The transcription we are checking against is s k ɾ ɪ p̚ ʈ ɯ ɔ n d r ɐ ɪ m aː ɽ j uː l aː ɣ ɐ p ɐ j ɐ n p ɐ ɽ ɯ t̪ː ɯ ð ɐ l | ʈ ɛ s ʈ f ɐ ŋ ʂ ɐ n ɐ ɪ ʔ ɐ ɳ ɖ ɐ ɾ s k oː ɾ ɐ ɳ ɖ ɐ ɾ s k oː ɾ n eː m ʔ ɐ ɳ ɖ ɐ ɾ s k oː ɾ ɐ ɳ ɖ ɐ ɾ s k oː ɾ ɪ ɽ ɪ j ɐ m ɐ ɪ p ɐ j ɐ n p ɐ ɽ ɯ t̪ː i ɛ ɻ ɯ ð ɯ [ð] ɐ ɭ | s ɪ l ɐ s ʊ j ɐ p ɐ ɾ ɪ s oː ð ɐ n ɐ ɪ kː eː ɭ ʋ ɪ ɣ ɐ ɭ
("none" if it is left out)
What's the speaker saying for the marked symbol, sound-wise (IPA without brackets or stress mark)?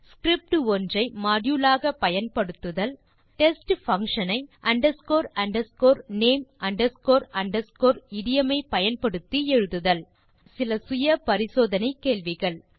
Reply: ð